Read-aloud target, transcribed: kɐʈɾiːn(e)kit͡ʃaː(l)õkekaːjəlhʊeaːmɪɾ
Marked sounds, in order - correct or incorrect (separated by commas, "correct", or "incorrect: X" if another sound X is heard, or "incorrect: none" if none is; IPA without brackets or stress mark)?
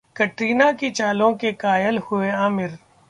incorrect: a, correct